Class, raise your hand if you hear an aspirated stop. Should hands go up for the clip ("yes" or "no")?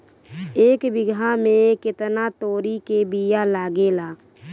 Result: no